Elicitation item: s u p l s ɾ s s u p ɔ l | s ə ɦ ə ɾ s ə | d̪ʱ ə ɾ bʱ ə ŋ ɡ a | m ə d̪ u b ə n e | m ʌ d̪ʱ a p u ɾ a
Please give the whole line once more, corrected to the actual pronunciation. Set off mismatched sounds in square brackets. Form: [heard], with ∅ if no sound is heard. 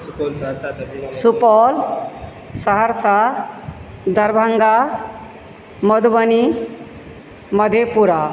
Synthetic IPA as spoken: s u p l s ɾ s s u p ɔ l | s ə ɦ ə ɾ s [a] | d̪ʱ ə ɾ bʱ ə ŋ ɡ a | m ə d̪ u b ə n [i] | m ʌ d̪ʱ [e] p u ɾ a

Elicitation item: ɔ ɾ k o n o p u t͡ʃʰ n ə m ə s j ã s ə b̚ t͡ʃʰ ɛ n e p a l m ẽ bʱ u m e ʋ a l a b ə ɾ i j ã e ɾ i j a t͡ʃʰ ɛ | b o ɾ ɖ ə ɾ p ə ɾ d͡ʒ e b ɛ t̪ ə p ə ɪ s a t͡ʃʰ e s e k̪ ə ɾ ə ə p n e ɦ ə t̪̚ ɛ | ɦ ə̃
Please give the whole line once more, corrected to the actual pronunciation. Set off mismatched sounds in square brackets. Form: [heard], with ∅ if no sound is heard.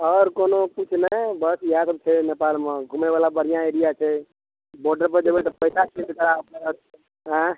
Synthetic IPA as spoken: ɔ ɾ k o n o p u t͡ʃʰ n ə [b] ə s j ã s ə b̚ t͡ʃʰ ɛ n e p a l m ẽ [ɡʱ] u m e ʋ a l a b ə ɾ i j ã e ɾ i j a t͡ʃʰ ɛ | b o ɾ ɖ ə ɾ p ə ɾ d͡ʒ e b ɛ t̪ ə p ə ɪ s a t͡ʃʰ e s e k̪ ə ɾ [a] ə p n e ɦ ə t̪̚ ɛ | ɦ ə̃

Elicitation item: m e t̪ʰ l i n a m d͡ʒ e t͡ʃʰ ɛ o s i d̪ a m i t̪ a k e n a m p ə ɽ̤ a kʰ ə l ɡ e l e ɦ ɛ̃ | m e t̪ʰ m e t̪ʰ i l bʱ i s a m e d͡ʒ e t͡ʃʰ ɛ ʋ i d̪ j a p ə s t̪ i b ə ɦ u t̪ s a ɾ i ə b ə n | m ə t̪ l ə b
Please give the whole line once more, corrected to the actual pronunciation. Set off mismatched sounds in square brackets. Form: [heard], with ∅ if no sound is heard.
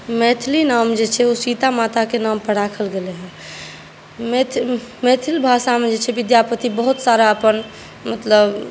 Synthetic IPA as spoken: m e t̪ʰ l i n a m d͡ʒ e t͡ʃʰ ɛ o s i [t̪] a m [a] t̪ a k e n a m p ə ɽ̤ a kʰ ə l ɡ e l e ɦ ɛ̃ | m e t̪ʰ m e t̪ʰ i l bʱ [a] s a m e d͡ʒ e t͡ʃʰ ɛ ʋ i d̪ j a p ə [∅] t̪ i b ə ɦ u t̪ s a ɾ [a] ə [p] ə n | m ə t̪ l ə b

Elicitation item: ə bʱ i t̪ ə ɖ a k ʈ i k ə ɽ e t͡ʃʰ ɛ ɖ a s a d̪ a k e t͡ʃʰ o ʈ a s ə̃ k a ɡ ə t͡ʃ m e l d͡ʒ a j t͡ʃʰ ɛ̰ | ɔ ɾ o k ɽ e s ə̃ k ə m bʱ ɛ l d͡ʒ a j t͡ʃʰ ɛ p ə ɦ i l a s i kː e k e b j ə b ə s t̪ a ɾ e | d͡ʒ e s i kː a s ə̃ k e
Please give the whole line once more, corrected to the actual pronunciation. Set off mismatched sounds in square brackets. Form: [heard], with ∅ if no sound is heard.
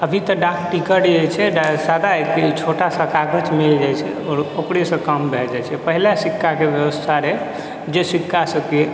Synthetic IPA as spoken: ə bʱ i t̪ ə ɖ a k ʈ i k ə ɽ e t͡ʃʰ ɛ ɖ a s a d̪ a k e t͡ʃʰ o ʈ a s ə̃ k a ɡ ə t͡ʃ m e l d͡ʒ a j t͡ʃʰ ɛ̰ | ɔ ɾ o k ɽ e s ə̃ k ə m bʱ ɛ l d͡ʒ a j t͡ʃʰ ɛ p ə ɦ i l a s i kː [a] k e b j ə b ə s [t̪ʰ] a ɾ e | d͡ʒ e s i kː a s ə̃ k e

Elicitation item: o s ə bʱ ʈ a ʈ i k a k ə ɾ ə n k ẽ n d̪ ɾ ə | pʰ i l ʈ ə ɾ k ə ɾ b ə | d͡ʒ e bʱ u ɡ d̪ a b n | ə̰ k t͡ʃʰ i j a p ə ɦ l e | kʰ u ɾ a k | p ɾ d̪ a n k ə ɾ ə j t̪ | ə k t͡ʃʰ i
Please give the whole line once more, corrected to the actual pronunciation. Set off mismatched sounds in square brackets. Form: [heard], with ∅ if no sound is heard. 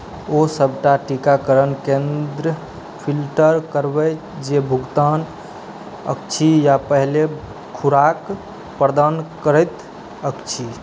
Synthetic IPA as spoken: o s ə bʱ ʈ a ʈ i k a k ə ɾ ə n k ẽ n d̪ ɾ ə | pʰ i l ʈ ə ɾ k ə ɾ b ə | d͡ʒ e bʱ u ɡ [t̪] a [∅] n | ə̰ k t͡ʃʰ i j a p ə ɦ l e | kʰ u ɾ a k | p ɾ d̪ a n k ə ɾ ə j t̪ | ə k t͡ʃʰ i

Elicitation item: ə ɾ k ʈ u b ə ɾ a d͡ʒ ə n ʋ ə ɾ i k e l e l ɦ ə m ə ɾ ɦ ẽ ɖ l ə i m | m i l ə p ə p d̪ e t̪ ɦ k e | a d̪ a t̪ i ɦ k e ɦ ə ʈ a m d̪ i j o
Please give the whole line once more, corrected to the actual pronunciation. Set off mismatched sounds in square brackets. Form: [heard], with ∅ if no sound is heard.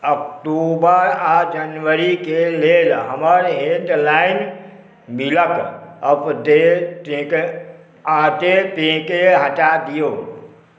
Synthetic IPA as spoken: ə [∅] k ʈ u b ə ɾ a d͡ʒ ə n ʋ ə ɾ i k e l e l ɦ ə m ə ɾ ɦ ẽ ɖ l [a] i [n] | m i l ə [k] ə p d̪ e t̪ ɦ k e | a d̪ [e] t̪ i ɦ k e ɦ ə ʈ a [∅] d̪ i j o

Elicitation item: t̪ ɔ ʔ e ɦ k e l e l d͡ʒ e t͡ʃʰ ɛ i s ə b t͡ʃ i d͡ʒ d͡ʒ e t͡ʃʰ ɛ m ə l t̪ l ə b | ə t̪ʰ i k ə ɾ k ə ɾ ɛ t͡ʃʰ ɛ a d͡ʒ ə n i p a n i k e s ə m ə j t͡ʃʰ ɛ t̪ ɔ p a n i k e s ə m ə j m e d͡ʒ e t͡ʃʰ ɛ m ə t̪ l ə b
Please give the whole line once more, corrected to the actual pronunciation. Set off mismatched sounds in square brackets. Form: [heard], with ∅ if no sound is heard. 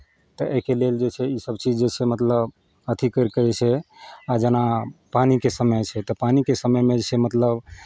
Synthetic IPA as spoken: t̪ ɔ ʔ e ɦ k e l e l d͡ʒ e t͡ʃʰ ɛ i s ə b t͡ʃ i d͡ʒ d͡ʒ e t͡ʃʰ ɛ m ə [∅] t̪ l ə b | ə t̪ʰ i k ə ɾ k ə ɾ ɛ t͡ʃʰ ɛ a d͡ʒ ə n [a] p a n i k e s ə m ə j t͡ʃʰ ɛ t̪ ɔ p a n i k e s ə m ə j m e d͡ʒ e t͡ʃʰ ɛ m ə t̪ l ə b

